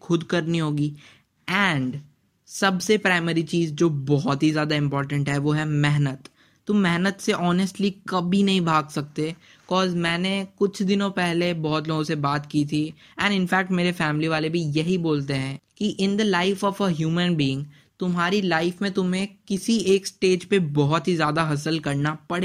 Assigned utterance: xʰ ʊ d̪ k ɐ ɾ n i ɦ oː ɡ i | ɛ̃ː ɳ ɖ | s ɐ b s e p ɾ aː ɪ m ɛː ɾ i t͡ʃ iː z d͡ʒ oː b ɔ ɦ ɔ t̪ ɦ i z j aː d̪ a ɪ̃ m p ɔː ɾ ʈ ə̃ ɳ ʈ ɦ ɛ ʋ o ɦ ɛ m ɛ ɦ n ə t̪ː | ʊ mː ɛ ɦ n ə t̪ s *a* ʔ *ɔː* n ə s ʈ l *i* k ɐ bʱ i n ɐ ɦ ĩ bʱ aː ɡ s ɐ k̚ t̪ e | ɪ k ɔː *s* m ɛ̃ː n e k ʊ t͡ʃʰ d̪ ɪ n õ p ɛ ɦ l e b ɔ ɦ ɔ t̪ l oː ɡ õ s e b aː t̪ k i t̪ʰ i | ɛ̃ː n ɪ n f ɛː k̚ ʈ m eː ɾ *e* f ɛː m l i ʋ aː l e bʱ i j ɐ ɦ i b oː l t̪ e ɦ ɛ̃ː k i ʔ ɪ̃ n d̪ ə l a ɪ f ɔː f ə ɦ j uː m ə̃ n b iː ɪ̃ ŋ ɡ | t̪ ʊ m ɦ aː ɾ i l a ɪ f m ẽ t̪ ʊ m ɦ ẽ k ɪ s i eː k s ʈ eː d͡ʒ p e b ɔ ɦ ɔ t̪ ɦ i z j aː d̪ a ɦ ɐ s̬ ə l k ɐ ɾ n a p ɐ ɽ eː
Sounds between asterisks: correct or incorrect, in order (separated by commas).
incorrect, correct, correct, incorrect, correct